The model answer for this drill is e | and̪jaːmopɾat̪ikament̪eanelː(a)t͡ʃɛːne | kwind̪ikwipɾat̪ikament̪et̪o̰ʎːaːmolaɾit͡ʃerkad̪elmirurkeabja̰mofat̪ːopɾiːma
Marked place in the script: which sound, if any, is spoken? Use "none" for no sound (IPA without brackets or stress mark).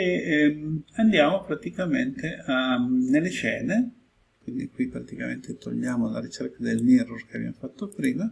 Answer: e